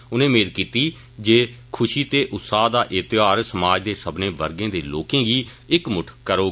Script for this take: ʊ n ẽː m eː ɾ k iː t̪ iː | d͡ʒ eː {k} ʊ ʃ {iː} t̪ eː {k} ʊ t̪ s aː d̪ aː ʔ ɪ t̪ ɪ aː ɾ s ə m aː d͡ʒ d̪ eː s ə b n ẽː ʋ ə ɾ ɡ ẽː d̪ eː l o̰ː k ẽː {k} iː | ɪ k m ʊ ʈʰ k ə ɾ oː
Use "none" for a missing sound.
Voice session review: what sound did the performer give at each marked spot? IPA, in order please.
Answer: kʰ, iː, ʔ, ɡ

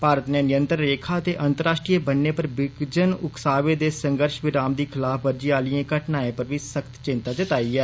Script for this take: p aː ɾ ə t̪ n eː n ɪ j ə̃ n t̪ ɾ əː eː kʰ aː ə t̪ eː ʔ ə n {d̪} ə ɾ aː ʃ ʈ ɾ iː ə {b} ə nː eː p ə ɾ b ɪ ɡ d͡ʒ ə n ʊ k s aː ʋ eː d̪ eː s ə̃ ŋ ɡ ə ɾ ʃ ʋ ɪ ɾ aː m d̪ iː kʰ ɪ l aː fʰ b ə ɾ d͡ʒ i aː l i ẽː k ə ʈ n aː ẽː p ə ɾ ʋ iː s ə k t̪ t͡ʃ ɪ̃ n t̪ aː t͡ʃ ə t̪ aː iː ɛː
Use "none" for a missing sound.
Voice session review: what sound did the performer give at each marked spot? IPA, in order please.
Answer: t̪, b

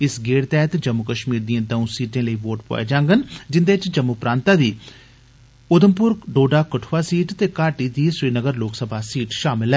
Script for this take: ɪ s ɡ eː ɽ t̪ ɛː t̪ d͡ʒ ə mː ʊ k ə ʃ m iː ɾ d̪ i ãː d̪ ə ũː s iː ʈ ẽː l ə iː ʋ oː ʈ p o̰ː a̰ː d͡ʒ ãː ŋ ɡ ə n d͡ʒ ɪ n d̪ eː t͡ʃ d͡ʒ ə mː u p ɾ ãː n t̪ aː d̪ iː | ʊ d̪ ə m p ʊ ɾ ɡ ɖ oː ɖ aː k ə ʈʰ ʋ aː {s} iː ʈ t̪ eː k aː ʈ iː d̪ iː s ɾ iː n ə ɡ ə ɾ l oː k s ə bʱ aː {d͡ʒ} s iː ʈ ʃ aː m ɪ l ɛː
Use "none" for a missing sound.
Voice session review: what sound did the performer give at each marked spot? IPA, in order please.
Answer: s, none

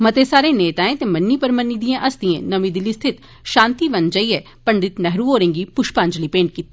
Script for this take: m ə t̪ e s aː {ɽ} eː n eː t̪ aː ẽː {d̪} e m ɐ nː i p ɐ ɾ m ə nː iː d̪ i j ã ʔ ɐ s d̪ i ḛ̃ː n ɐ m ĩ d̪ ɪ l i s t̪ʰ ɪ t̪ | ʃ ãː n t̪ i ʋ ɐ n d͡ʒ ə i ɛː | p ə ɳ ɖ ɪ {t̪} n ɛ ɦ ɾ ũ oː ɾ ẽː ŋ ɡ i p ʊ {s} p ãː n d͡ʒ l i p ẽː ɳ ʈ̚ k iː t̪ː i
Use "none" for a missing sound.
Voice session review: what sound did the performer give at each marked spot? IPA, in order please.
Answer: ɾ, t̪, t̪, ʃ

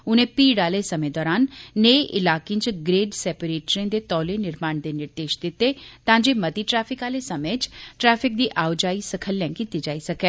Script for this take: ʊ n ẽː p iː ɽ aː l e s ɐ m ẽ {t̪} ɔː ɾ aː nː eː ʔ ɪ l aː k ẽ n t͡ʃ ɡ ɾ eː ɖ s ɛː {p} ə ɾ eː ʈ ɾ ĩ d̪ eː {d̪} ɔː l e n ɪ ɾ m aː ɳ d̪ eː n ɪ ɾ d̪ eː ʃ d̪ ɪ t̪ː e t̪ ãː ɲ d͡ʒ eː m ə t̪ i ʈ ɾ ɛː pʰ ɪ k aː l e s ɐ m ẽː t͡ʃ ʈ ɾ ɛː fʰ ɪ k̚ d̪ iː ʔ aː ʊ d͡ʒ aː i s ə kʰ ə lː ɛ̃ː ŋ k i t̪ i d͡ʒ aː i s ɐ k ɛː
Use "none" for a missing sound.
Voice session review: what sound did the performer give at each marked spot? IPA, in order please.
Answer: d̪, p, t̪

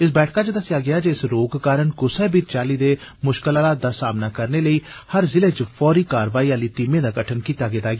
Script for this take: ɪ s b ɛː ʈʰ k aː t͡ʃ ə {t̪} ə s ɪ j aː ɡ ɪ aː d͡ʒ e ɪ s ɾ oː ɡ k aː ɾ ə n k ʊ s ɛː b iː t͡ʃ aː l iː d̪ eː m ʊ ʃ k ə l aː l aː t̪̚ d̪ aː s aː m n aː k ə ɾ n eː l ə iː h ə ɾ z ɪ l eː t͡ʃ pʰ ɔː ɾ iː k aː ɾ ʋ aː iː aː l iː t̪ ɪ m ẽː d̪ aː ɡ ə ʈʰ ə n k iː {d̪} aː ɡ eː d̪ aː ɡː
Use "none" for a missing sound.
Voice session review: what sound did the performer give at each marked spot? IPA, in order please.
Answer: d̪, t̪

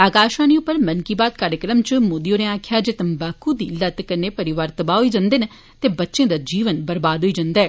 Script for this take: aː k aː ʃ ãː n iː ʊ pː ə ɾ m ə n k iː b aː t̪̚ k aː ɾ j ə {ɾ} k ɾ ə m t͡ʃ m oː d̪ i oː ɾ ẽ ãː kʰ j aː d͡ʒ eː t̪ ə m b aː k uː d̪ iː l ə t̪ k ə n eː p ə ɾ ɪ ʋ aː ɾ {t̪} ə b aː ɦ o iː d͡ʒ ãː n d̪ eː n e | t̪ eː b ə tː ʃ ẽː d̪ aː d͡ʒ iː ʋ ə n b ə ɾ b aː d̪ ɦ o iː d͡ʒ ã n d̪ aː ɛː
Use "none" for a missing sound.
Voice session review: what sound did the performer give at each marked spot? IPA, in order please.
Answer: none, t̪

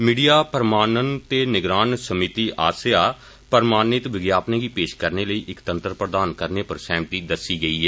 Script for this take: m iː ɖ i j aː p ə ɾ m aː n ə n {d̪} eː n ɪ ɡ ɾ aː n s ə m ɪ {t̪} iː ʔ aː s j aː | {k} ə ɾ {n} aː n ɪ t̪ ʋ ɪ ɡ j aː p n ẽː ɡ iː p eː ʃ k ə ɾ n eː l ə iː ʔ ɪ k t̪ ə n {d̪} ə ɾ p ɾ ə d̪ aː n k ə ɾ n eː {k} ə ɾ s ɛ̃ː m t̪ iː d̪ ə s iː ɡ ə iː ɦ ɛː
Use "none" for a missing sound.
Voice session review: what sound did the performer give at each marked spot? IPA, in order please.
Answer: t̪, t̪, p, m, t̪, p

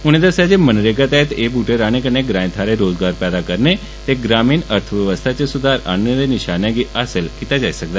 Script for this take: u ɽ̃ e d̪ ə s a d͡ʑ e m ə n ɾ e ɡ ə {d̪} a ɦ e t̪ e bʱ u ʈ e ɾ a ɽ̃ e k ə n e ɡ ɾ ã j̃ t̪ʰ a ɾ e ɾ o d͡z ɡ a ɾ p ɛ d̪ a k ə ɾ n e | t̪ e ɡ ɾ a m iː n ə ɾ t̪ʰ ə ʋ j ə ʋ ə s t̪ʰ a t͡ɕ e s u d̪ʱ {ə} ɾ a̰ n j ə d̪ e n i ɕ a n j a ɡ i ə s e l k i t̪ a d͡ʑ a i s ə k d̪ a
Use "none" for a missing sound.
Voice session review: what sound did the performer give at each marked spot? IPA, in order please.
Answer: t̪, a

